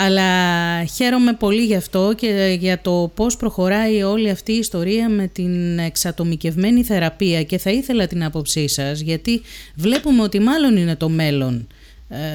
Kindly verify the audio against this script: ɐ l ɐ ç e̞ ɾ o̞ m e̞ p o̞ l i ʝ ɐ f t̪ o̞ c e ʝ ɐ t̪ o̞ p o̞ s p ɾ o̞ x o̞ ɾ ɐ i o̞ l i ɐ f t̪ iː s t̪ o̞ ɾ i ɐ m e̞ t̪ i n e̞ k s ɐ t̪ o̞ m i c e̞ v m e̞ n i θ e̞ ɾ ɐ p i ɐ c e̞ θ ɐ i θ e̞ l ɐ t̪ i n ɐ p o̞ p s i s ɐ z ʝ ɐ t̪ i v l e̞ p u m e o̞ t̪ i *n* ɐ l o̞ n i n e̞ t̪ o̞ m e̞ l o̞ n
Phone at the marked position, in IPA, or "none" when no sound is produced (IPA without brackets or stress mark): m